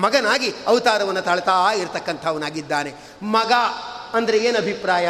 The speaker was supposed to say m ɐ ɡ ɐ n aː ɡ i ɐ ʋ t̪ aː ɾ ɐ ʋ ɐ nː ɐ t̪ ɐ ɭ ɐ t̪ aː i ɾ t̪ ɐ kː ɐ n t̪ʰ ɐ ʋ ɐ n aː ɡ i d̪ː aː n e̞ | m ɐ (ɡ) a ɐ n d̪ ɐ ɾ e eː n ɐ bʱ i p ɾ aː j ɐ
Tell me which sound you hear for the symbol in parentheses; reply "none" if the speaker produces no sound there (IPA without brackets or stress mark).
ɡ